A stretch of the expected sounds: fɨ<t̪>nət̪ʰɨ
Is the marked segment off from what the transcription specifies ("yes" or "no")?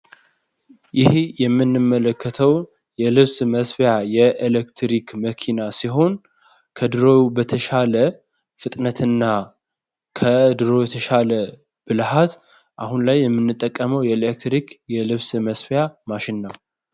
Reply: yes